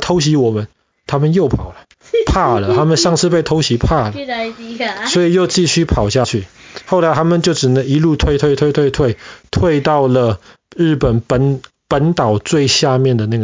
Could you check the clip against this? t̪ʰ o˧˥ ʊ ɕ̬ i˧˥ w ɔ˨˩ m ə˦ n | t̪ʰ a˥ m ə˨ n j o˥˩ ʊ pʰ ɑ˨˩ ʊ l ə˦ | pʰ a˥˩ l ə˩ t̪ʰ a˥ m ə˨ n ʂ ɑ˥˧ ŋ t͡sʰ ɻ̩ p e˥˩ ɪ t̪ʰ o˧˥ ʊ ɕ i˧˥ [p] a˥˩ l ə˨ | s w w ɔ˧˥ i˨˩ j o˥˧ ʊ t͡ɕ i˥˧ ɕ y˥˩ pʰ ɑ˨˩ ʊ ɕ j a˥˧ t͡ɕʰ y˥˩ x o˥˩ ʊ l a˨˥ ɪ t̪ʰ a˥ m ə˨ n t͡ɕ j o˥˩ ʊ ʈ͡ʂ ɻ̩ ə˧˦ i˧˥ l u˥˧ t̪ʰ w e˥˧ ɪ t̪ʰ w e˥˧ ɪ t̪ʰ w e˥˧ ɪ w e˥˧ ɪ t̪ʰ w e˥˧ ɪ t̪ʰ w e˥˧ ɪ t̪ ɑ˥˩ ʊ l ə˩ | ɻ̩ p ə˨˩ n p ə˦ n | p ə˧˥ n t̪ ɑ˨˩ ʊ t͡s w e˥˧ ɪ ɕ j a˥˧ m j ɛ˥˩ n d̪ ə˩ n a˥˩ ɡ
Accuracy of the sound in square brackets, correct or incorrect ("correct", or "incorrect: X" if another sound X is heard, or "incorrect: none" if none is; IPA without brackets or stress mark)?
incorrect: pʰ